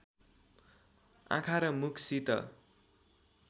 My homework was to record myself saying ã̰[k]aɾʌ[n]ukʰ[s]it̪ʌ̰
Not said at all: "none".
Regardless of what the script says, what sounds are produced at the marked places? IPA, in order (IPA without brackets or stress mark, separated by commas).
kʰ, m, s